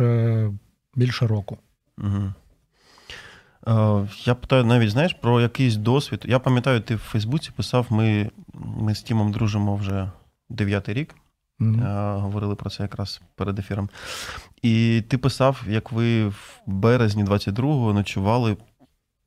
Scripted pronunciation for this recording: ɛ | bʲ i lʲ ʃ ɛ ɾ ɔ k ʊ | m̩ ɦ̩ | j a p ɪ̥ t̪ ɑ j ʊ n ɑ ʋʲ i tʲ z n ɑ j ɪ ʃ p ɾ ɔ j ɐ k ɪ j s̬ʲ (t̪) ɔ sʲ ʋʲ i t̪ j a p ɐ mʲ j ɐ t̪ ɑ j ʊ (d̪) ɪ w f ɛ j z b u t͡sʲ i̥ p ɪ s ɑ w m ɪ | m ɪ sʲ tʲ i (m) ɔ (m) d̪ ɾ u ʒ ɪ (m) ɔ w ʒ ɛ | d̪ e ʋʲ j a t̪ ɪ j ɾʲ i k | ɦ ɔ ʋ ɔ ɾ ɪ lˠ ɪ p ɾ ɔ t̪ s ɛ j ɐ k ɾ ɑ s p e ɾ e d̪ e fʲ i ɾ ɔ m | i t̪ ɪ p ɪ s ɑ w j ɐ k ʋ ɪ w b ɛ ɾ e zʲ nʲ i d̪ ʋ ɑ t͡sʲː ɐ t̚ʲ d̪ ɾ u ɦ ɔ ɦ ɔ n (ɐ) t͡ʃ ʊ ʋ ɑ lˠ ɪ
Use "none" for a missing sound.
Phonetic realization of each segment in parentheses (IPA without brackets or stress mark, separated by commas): d̪, t̪, m, m, m, ɐ